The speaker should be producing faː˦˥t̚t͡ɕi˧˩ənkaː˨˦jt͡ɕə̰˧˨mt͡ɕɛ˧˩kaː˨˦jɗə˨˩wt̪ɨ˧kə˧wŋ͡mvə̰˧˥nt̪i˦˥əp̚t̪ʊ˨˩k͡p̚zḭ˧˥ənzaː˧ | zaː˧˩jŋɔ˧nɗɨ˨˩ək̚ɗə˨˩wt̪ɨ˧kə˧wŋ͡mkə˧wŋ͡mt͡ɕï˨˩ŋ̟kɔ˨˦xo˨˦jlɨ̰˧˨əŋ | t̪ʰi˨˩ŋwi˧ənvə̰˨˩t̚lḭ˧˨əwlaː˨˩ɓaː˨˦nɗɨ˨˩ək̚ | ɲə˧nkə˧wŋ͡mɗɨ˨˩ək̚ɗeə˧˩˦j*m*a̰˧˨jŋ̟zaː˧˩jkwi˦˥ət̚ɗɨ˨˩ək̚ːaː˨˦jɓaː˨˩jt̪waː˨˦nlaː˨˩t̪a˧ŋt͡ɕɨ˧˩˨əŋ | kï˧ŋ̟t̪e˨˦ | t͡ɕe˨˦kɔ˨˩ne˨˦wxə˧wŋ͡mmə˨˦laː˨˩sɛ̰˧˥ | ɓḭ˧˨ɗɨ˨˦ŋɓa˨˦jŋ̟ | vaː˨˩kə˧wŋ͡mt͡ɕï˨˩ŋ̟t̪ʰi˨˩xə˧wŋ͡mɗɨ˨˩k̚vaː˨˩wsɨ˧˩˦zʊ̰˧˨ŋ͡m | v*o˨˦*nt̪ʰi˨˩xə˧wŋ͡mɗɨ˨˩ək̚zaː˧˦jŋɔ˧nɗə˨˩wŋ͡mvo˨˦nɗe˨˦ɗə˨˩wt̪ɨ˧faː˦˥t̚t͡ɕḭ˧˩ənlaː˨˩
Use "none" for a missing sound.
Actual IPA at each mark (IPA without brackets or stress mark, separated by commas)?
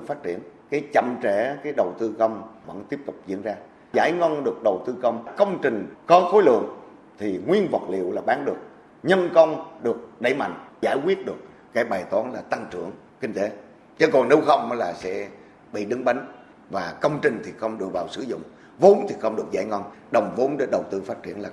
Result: m, o˨˦